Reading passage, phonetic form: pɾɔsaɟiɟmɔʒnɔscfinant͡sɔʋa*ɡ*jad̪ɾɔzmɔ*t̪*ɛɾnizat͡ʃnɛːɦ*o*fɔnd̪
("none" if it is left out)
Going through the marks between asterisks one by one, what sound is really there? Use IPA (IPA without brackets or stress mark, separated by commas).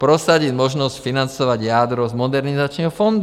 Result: ɟ, d̪, ɔ